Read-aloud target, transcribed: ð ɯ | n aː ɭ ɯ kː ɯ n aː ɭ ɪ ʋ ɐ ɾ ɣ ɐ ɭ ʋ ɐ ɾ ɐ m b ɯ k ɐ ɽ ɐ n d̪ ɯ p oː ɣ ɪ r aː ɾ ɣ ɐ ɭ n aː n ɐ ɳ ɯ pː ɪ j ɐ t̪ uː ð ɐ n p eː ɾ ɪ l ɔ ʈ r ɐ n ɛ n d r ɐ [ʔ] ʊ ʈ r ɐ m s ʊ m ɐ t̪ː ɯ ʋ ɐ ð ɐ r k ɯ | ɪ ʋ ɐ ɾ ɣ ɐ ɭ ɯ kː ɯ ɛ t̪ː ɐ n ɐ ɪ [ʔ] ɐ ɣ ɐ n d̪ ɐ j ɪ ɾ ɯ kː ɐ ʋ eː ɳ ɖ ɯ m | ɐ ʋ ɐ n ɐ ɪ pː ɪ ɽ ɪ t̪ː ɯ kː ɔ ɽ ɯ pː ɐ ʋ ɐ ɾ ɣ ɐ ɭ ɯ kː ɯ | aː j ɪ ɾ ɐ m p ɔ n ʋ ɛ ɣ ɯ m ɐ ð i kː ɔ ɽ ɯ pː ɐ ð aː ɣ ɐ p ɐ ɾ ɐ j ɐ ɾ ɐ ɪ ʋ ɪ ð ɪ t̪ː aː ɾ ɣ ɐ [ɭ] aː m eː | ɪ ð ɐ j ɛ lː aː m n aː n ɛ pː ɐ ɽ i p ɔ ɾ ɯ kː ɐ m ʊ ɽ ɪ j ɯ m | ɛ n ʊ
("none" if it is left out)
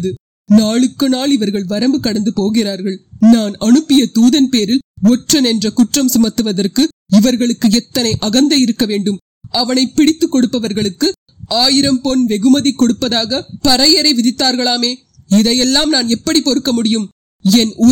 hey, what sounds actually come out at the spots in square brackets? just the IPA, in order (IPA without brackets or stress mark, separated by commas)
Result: k, ʔ, ɭ